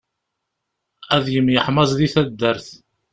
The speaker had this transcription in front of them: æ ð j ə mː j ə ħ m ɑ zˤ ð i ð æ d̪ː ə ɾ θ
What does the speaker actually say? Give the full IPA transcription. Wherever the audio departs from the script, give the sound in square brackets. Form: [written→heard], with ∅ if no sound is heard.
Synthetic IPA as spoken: æ ð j ə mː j ə ħ m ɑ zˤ ð i [ð→θ] æ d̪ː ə ɾ θ